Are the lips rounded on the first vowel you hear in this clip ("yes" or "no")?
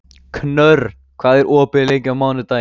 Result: yes